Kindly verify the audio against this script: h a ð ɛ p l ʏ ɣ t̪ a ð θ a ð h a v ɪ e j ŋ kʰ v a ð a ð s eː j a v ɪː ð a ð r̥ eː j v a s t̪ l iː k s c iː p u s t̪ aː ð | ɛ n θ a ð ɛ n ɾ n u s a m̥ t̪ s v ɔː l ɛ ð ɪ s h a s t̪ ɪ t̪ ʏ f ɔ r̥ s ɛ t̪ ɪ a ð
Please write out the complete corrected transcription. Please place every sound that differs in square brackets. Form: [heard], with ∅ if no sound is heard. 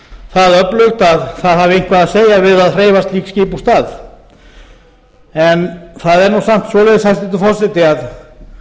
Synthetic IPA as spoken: [θ] a ð [œ] p l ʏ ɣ t̪ a ð θ a ð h a v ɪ e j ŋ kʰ v a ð a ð s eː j a v [ɪ] ð a ð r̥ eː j v a s t̪ l iː k s c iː p u s t̪ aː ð | ɛ n θ a ð ɛ [∅] ɾ n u s a m̥ t̪ s v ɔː l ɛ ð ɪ s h a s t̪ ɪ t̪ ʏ f ɔ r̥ s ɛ t̪ ɪ a ð

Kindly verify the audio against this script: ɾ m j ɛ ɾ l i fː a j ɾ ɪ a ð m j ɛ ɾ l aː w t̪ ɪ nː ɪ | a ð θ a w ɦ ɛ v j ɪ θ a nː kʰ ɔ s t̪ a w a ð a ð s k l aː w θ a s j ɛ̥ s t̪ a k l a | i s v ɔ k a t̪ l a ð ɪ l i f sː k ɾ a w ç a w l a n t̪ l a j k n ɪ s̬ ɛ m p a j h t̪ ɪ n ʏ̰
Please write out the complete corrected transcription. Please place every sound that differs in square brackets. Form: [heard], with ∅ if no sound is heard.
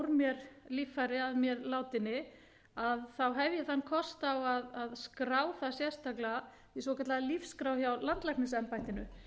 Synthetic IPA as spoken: ɾ m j ɛ ɾ l i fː a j ɾ ɪ a ð m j ɛ ɾ l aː w t̪ ɪ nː ɪ | a ð θ a w ɦ ɛ v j ɪ θ a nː kʰ ɔ s t̪ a w a ð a ð s k [ɾ] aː w θ a s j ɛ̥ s t̪ a k l a | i s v ɔ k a t̪ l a ð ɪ l i f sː k ɾ a w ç a w l a n t̪ l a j k n ɪ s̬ ɛ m p a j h t̪ ɪ n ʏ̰

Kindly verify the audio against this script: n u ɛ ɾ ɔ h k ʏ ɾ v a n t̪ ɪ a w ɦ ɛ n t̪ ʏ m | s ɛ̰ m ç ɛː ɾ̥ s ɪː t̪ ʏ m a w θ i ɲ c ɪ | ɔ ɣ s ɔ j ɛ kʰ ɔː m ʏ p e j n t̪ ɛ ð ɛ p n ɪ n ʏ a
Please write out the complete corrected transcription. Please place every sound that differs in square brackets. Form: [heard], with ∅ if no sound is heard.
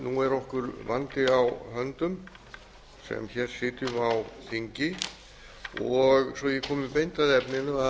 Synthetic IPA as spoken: n u ɛ ɾ ɔ h k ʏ ɾ v a n t̪ ɪ a w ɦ [œ] n t̪ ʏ m | s ɛ̰ m ç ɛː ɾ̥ s ɪː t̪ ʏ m a w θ i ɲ c ɪ | ɔ ɣ s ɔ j ɛ kʰ ɔː m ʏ p e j n t̪ [a] ð ɛ p n ɪ n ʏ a

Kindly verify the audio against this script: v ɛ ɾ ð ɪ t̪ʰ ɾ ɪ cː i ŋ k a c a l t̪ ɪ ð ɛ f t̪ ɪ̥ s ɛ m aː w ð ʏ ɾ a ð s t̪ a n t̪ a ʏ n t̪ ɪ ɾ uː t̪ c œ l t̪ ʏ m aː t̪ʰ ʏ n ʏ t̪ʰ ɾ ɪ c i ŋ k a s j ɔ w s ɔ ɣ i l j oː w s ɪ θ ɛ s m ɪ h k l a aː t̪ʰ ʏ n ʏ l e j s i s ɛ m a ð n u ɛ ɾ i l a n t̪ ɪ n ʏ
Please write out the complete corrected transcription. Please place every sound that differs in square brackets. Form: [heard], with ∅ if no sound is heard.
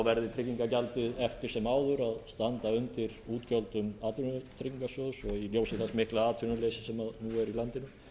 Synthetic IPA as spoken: v ɛ ɾ ð ɪ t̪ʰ ɾ ɪ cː i ŋ k a c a l t̪ ɪ ð ɛ f t̪ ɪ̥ s ɛ m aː w ð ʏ ɾ a ð s t̪ a n t̪ a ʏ n t̪ ɪ ɾ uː t̪ c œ l t̪ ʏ m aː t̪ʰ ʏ n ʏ t̪ʰ ɾ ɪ c i ŋ k a s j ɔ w s ɔ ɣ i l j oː w s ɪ θ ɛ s m ɪ h k l a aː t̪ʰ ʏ n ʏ l e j s [ɪ] s ɛ m a ð n u ɛ ɾ i l a n t̪ ɪ n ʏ

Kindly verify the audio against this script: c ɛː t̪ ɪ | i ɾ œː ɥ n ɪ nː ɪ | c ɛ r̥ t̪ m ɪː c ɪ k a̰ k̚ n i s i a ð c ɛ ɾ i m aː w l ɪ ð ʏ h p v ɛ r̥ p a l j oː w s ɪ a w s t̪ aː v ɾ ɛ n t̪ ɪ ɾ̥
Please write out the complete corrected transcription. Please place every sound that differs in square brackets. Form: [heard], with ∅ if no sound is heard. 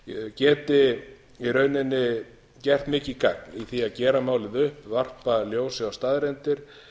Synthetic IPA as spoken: c ɛː t̪ ɪ | i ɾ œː ɥ n ɪ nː ɪ | c ɛ r̥ t̪ m ɪː c ɪ k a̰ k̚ n i [θ] i a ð c [ɛː] ɾ [a] m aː w l ɪ ð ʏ h p v [a] r̥ p a l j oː w s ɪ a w s t̪ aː [ð] ɾ ɛ n t̪ ɪ ɾ̥

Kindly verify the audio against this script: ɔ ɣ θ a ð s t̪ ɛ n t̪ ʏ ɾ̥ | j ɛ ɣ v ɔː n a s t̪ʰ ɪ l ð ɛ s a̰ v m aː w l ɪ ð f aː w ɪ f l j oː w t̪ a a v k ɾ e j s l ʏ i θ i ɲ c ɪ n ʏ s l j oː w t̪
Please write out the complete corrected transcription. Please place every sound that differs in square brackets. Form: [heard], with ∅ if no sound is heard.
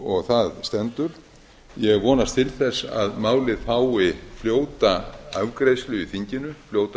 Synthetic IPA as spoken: ɔ ɣ θ a ð s t̪ ɛ n t̪ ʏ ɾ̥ | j ɛ ɣ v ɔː n a s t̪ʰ ɪ l [θ] ɛ s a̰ [ð] m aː w l ɪ ð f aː w ɪ f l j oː w t̪ a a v k ɾ e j s l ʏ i θ i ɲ c ɪ n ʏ [f] l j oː w t̪

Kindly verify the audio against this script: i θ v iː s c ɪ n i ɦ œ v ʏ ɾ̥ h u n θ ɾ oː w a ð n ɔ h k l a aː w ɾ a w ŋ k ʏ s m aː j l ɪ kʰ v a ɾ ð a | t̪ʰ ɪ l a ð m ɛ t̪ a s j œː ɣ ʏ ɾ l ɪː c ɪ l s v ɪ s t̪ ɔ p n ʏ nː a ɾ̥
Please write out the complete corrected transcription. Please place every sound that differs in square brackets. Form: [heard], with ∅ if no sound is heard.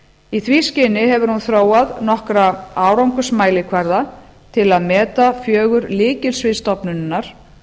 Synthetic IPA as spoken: i θ v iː s c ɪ n [ɪ] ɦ [ɛ] v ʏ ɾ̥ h u n θ ɾ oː w a ð n ɔ h k [ɾ] a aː w ɾ a w ŋ k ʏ s m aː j l ɪ kʰ v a ɾ ð a | t̪ʰ ɪ l a ð m [ɛː] t̪ a [f] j œː ɣ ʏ ɾ l ɪː c ɪ l s v ɪ s t̪ ɔ p n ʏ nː a ɾ̥

